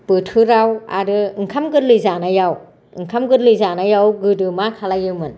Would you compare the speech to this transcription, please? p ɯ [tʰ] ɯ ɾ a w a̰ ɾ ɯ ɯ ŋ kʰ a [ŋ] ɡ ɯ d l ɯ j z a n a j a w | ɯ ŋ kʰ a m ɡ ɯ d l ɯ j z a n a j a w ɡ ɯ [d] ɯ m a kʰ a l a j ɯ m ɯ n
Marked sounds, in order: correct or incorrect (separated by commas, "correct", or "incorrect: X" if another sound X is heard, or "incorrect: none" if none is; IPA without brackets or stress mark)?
correct, incorrect: m, correct